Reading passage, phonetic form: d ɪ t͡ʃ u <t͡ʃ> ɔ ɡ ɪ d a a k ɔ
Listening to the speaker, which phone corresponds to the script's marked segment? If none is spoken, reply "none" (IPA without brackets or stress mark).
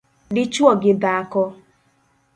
none